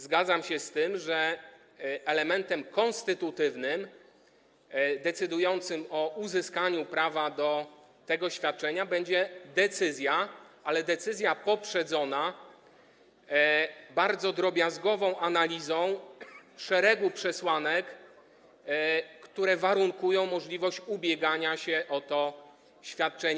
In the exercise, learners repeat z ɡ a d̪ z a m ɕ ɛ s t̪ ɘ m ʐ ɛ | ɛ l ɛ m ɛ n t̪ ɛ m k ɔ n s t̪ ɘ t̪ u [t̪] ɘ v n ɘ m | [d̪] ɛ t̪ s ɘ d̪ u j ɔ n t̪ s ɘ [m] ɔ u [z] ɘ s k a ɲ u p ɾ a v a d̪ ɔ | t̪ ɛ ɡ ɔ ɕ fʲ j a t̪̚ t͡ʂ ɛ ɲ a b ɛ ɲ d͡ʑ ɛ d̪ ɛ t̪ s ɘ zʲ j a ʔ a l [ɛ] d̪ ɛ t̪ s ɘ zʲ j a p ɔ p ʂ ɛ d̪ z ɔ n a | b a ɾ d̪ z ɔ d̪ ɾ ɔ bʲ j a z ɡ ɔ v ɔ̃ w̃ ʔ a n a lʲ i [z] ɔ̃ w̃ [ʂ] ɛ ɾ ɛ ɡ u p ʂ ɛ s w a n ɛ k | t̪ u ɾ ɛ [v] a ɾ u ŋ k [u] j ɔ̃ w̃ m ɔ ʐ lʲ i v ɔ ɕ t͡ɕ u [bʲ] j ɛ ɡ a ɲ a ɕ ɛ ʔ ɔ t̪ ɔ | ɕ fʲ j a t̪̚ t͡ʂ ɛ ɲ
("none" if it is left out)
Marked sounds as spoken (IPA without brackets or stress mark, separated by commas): t̪, d̪, m, z, ɛ, z, ʂ, v, u, bʲ